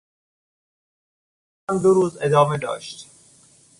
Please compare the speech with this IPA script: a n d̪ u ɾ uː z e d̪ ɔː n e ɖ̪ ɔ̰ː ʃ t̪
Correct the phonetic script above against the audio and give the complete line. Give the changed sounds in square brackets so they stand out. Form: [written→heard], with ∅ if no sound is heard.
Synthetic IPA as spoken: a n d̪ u ɾ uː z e d̪ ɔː [n→m] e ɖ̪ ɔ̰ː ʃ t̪